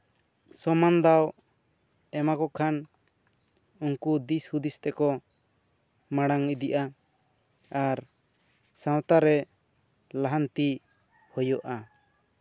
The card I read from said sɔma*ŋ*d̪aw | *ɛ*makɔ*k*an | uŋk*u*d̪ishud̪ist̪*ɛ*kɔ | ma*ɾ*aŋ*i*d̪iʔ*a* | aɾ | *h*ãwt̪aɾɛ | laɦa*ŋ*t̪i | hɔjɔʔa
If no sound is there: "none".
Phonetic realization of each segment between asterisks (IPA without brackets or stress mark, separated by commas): n, ɛ, kʰ, u, ɛ, ɽ, i, a, s, n